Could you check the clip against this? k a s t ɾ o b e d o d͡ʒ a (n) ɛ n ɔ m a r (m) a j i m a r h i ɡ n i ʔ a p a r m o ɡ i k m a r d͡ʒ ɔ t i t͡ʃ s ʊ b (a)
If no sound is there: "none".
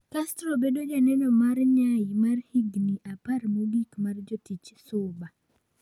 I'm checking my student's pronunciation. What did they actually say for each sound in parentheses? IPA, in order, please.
n, ɲ, a

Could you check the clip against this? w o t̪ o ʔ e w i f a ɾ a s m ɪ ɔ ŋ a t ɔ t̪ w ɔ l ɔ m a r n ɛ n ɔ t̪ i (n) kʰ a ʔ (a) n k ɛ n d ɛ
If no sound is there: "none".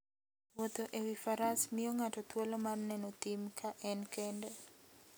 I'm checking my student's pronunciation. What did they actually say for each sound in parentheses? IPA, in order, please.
m, ɛ

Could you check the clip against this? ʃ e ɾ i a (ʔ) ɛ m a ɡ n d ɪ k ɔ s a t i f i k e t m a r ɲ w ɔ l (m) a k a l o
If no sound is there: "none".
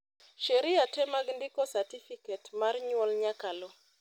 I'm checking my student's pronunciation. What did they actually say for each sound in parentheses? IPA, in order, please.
t, ɲ

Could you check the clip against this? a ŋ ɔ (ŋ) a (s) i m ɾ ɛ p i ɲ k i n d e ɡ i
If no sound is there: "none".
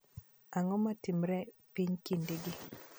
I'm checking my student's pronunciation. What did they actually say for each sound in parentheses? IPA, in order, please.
m, t

